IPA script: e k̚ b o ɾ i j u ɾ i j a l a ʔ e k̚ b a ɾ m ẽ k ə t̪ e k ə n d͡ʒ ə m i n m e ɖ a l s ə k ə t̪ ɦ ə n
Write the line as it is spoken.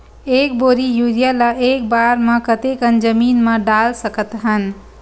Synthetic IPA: e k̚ b o ɾ i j u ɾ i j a l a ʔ e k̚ b a ɾ m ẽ k ə t̪ e k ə n d͡ʒ ə m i n m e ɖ a l s ə k ə t̪ ɦ ə n